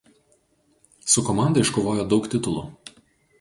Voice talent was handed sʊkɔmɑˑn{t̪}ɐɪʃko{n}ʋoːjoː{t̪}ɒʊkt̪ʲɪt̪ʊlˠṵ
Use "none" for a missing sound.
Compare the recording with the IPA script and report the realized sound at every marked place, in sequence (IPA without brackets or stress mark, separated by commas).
d̪, none, d̪